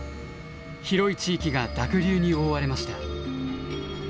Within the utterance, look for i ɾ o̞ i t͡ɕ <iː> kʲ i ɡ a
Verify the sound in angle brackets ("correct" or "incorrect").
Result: correct